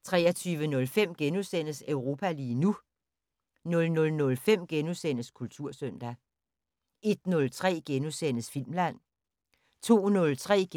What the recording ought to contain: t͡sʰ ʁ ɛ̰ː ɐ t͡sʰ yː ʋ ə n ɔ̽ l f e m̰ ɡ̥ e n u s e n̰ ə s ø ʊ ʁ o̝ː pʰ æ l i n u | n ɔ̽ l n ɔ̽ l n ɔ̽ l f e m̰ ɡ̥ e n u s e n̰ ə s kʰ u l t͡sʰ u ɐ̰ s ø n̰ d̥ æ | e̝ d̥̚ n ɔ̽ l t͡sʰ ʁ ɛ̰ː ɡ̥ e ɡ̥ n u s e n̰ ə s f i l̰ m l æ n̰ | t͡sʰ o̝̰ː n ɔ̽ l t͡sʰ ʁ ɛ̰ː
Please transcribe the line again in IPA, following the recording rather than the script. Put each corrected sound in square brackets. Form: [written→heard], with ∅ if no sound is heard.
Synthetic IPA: t͡sʰ ʁ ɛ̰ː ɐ t͡sʰ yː ʋ ə n ɔ̽ l f e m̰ ɡ̥ e n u s e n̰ ə s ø ʊ ʁ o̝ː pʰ æ l [i→iː] n u | n ɔ̽ l n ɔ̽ l n ɔ̽ l f e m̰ ɡ̥ e n u s e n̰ ə s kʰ u l t͡sʰ u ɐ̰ s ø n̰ d̥ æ | e̝ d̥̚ n ɔ̽ l t͡sʰ ʁ ɛ̰ː ɡ̥ e [ɡ̥→∅] n u s e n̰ ə s f i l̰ m l æ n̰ | t͡sʰ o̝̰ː n ɔ̽ l t͡sʰ ʁ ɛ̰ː